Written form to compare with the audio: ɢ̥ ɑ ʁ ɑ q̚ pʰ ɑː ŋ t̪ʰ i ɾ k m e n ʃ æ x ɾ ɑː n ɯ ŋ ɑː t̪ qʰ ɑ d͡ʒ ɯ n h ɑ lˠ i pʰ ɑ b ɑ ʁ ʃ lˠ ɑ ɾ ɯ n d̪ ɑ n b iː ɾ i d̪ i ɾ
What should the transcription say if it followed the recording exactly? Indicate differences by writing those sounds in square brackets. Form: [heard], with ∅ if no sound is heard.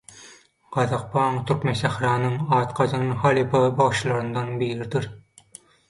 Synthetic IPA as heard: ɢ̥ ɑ [ð] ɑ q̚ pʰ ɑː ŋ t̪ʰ [y] ɾ k m e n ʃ æ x ɾ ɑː n ɯ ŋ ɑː t̪ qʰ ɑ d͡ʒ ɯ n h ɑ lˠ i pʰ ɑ b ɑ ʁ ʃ lˠ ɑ ɾ ɯ n d̪ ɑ n b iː ɾ i d̪ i ɾ